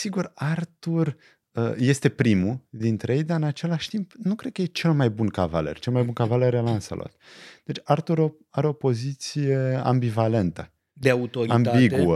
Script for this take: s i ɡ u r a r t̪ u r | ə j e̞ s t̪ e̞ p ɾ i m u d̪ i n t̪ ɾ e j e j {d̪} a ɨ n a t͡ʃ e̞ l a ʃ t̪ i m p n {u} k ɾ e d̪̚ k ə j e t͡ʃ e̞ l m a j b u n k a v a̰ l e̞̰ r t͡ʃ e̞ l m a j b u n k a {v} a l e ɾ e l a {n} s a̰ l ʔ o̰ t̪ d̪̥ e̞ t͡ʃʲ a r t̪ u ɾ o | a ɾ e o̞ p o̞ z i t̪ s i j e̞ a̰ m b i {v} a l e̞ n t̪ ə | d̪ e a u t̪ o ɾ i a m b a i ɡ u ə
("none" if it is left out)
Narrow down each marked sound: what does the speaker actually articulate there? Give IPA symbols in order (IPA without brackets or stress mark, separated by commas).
d̪, u, v, n, v